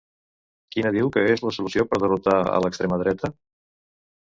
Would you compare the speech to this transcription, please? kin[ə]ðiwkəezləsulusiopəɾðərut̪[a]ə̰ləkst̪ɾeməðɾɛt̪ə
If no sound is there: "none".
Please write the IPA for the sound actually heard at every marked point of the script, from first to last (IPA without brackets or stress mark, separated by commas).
ə, a